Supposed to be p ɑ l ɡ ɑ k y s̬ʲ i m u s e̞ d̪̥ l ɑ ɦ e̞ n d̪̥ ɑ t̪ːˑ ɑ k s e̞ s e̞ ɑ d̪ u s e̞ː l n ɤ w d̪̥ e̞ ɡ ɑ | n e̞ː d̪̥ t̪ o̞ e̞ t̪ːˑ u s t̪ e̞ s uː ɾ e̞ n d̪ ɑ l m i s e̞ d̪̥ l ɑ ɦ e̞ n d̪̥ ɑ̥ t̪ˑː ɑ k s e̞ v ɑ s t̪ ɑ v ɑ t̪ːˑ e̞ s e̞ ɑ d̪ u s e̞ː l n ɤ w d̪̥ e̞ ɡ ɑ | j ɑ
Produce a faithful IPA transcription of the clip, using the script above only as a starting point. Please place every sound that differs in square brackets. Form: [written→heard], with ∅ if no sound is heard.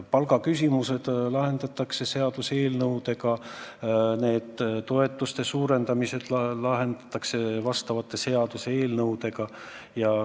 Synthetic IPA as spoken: p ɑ l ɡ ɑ k y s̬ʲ i m u s e̞ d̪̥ l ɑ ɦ e̞ n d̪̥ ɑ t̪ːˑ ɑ k s e̞ s e̞ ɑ d̪ u s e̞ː l n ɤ w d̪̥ e̞ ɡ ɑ | n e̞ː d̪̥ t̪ o̞ e̞ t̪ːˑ u s t̪ e̞ s uː ɾ e̞ n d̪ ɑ [l→∅] m i s e̞ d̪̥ l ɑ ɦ e̞ n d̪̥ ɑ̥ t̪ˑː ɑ k s e̞ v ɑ s t̪ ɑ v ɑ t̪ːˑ e̞ s e̞ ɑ d̪ u s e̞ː l n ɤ w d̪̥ e̞ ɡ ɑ | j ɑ